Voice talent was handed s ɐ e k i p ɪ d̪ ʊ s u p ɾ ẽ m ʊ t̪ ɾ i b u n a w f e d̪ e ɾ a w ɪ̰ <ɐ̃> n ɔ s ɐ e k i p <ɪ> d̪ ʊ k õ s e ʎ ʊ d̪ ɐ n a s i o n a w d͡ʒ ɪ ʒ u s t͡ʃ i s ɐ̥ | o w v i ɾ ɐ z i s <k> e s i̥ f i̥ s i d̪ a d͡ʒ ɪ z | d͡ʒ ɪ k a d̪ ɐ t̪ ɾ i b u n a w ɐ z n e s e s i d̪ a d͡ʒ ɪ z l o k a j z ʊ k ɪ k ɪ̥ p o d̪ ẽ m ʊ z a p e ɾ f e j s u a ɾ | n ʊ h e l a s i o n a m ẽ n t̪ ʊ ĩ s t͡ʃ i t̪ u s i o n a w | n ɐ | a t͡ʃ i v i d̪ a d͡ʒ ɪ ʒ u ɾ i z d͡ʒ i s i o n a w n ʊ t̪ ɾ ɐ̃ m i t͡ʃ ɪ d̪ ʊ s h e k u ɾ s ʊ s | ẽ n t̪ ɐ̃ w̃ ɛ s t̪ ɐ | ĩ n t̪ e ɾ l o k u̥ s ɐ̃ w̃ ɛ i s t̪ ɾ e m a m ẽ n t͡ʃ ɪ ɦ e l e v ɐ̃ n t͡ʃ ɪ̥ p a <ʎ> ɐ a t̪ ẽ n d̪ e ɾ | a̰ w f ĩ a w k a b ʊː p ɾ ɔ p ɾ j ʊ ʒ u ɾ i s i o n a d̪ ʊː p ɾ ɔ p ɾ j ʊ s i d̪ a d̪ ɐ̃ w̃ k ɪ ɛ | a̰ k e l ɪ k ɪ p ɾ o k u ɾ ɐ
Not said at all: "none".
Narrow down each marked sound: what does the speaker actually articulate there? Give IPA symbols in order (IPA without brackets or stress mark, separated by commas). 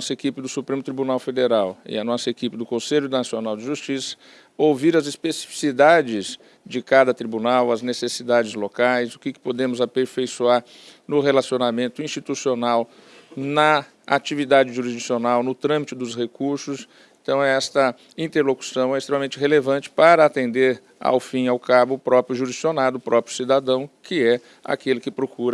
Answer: ɐ, ɪ, p, ɾ